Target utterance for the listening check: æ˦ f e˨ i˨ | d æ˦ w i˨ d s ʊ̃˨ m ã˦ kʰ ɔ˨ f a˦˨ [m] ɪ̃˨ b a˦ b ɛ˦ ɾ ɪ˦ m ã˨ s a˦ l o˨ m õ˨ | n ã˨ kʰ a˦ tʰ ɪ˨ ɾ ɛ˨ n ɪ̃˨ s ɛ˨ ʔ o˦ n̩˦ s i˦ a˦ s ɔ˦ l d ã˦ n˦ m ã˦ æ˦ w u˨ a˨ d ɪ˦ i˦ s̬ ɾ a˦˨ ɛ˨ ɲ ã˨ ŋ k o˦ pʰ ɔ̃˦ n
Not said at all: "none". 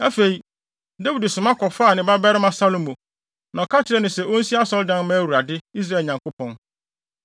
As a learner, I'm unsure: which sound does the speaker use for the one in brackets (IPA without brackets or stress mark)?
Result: n